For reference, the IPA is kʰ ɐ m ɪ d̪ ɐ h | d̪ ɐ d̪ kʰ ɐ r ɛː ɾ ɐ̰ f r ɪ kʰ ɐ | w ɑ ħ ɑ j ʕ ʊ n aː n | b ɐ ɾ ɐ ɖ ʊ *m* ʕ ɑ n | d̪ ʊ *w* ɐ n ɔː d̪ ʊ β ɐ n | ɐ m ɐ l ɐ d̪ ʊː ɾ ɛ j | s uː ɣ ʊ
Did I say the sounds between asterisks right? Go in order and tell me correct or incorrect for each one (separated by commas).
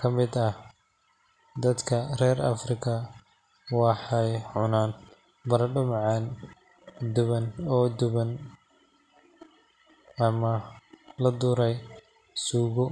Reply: correct, incorrect